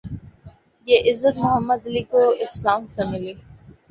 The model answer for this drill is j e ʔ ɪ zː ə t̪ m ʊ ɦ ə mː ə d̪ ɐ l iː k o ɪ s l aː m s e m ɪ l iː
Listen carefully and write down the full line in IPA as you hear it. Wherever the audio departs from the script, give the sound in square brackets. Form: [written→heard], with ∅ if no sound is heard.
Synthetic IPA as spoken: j e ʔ ɪ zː ə t̪ m ʊ ɦ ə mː ə d̪ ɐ l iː k o ɪ s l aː m s e m ɪ l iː

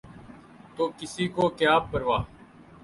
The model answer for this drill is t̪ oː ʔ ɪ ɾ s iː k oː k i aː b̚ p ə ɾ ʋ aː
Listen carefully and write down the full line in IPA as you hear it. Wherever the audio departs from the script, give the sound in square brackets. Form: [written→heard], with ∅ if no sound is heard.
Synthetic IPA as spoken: t̪ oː [ʔ→k] ɪ [ɾ→∅] s iː k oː k [i→j] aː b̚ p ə ɾ ʋ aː

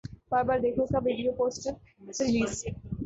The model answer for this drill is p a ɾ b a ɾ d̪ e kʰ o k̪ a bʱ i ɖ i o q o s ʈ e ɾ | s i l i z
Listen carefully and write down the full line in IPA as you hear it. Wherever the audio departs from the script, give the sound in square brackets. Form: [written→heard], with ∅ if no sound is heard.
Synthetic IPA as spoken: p a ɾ b a ɾ d̪ e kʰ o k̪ a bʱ i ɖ i o [q→p] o s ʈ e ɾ | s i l i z

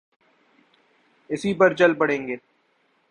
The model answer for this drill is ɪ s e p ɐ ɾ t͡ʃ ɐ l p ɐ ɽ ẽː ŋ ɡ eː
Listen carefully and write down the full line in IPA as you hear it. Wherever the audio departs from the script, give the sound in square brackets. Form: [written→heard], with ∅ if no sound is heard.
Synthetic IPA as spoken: ɪ s [e→i] p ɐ ɾ t͡ʃ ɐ l p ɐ ɽ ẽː ŋ ɡ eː

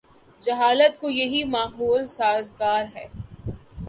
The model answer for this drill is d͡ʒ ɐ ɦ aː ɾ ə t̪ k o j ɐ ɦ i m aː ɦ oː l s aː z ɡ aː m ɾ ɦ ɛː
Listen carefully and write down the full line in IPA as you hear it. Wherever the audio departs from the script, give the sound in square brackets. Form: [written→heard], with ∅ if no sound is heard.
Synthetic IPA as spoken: d͡ʒ ɐ ɦ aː [ɾ→l] ə t̪ k o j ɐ ɦ i m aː ɦ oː l s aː z ɡ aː [m→∅] ɾ ɦ ɛː

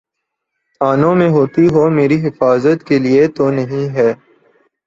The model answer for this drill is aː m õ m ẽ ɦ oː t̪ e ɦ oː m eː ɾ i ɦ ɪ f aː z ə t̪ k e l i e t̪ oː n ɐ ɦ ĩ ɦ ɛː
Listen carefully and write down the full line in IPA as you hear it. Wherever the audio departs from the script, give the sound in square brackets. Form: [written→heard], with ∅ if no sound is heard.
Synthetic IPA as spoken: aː [m→n] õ m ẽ ɦ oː t̪ [e→i] ɦ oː m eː ɾ i ɦ ɪ f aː z ə t̪ k e l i e t̪ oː n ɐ ɦ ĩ ɦ ɛː

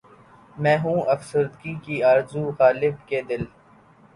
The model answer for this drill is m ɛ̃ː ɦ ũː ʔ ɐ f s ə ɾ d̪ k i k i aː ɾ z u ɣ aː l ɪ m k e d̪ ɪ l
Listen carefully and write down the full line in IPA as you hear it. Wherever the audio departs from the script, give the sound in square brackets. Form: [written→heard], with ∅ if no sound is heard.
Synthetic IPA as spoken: m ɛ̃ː ɦ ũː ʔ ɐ f s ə ɾ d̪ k i k i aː ɾ z u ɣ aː l ɪ [m→b] k e d̪ ɪ l

